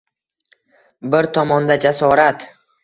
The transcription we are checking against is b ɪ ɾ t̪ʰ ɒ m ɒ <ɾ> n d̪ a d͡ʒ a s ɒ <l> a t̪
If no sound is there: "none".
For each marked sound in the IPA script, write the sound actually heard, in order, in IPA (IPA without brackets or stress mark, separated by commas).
none, ɾ